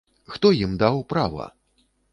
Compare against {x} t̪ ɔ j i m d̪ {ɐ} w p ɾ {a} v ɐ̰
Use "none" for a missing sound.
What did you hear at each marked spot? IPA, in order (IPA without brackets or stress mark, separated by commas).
x, a, a